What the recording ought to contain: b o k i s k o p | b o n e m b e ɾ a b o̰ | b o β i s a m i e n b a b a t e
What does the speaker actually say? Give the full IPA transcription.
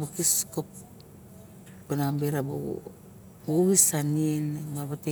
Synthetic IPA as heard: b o k i s k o p | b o n a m b e ɾ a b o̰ | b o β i s a n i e n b a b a t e